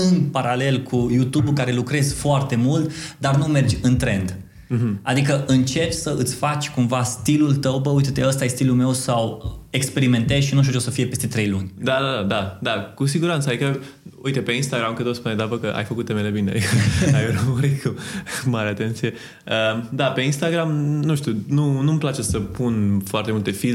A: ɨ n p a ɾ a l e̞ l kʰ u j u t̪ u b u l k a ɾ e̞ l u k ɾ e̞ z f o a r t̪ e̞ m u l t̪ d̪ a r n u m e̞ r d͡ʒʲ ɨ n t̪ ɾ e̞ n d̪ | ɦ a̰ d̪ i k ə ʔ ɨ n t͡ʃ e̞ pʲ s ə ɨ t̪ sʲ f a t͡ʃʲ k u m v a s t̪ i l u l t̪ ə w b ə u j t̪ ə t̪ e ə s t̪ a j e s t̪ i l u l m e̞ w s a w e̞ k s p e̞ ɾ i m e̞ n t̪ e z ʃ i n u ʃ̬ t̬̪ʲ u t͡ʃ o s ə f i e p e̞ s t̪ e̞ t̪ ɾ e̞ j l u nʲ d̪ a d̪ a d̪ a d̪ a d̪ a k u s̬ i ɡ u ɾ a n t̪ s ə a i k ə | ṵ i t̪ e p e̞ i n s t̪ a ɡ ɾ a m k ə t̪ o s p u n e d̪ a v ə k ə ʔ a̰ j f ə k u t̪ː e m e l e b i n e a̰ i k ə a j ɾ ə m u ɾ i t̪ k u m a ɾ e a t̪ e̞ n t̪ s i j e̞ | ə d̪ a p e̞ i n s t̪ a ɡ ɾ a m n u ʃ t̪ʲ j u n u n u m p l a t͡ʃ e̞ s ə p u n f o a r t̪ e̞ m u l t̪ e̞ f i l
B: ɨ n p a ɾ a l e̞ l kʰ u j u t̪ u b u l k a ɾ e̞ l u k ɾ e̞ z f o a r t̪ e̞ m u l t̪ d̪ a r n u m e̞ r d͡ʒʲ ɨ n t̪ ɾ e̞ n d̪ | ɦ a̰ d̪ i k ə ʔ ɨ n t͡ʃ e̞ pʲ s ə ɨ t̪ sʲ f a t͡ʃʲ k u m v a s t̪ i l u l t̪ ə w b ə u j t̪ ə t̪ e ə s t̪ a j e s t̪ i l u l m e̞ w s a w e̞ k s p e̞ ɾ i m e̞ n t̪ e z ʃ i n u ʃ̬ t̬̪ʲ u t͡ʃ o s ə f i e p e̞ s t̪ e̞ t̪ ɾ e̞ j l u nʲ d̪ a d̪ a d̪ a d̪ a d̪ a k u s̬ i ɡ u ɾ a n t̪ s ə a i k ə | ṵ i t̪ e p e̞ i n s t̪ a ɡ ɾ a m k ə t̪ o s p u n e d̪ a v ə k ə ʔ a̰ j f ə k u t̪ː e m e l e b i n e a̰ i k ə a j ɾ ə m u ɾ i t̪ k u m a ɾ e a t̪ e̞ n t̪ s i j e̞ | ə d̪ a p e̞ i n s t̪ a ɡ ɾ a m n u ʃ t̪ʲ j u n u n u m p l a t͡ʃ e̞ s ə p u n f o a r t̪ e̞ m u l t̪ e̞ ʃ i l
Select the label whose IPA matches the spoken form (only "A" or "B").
A